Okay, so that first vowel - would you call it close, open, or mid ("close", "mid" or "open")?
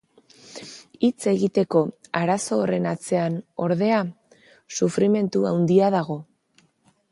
close